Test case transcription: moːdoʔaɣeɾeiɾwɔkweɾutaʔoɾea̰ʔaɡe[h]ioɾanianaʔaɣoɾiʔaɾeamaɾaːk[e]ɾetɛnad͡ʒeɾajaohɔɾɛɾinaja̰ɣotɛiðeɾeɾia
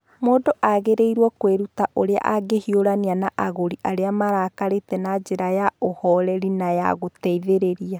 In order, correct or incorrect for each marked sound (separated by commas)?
correct, incorrect